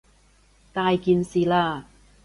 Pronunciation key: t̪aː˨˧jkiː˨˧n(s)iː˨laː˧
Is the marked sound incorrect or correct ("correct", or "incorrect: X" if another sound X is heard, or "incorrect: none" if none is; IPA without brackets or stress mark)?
correct